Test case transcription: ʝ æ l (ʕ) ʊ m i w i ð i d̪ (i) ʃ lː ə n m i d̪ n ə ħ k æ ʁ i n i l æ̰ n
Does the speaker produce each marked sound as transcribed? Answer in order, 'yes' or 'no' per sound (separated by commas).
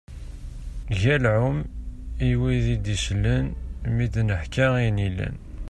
yes, yes